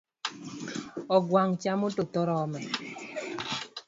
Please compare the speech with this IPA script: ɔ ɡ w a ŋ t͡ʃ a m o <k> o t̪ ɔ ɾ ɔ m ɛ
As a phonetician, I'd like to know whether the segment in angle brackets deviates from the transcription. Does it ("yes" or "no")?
yes